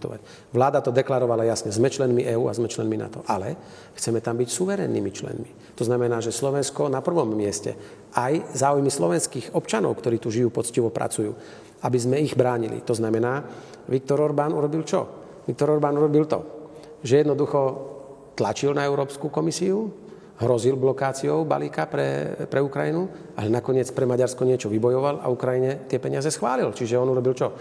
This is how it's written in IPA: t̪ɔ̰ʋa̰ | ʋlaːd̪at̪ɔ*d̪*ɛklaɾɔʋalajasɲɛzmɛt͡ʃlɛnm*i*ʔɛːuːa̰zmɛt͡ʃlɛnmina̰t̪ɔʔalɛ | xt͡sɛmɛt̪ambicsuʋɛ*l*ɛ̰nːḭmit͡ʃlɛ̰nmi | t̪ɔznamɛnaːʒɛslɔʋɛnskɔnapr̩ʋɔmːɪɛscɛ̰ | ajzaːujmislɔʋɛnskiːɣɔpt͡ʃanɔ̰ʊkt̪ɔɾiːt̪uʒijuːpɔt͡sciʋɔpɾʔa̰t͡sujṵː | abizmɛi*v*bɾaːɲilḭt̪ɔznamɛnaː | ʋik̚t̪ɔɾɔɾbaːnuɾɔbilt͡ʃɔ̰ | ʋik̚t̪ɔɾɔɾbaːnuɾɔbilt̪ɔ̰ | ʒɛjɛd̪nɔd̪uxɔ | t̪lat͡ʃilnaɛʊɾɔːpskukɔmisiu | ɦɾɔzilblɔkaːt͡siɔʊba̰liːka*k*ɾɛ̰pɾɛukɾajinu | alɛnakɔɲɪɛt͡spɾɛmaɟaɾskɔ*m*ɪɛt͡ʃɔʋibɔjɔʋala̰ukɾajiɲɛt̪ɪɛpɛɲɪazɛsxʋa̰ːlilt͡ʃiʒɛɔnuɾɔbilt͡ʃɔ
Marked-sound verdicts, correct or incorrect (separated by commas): correct, correct, incorrect, incorrect, incorrect, incorrect